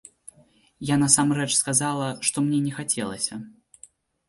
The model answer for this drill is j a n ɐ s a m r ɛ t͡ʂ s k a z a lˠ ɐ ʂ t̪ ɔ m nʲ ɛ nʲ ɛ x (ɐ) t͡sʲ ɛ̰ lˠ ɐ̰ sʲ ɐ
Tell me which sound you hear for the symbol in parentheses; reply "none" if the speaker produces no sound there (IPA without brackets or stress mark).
a